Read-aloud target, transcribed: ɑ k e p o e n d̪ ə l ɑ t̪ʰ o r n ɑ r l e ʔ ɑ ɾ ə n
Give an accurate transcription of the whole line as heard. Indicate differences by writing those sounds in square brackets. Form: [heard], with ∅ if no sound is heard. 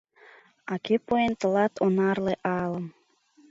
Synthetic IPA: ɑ k e p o e n [t̪] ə l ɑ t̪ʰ o [∅] n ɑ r l e ʔ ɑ [l] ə [m]